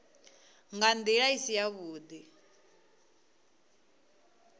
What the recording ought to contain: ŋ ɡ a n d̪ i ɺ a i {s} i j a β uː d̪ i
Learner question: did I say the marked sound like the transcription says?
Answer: yes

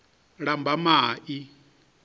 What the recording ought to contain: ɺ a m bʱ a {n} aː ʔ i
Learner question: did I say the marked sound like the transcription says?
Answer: no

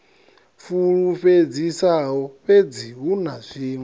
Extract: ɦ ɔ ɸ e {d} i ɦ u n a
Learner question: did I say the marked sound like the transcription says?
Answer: no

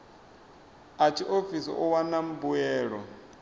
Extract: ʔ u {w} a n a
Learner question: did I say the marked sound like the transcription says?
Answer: yes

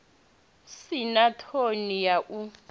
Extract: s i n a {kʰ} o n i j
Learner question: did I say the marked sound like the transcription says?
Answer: no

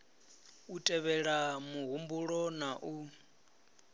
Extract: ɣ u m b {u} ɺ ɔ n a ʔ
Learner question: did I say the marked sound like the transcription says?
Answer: yes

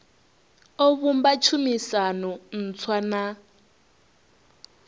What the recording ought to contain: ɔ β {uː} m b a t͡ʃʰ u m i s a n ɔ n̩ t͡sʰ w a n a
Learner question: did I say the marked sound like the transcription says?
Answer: no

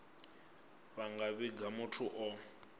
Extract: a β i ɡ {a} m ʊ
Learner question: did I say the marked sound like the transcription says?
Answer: yes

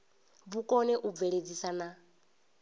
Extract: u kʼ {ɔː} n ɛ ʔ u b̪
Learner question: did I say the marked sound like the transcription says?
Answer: no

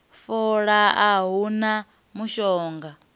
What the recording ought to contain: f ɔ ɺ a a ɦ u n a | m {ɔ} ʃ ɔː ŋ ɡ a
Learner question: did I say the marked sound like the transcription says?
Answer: no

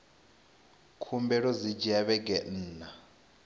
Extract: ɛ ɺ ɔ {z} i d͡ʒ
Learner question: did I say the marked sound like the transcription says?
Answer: yes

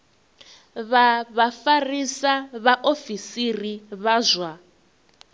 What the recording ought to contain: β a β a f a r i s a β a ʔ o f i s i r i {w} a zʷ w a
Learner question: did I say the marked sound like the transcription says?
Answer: no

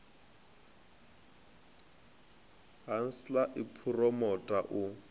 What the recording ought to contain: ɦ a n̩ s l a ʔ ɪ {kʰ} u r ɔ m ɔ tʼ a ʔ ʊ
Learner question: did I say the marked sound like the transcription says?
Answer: no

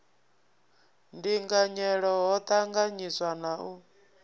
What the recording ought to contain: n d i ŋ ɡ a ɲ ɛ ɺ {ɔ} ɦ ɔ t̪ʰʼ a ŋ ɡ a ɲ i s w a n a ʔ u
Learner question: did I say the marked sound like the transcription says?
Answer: yes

